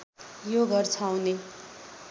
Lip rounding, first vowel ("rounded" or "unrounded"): rounded